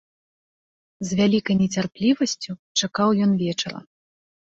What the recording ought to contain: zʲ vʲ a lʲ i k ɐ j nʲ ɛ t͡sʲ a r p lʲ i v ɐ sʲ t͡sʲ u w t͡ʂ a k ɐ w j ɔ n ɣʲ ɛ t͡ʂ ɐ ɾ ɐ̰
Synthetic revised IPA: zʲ vʲ a lʲ i k ɐ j nʲ ɛ t͡sʲ a r p lʲ i v ɐ sʲ t͡sʲ u t͡ʂ a k a w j ɔ n vʲ ɛ t͡ʂ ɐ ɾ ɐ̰

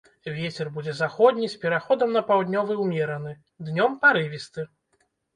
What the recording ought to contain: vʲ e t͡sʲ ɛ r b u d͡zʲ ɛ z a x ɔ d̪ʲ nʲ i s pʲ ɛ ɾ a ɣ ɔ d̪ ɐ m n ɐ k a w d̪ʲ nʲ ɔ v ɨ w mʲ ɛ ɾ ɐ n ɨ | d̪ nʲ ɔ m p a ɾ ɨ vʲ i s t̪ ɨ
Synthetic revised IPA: vʲ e t͡sʲ ɛ r b u d͡zʲ ɛ z a x ɔ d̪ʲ nʲ i s pʲ ɛ ɾ a x ɔ d̪ ɐ m n ɐ p a w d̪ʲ nʲ ɔ v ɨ w mʲ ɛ ɾ ɐ n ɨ | d̪ nʲ ɔ m p a ɾ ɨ vʲ i s t̪ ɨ

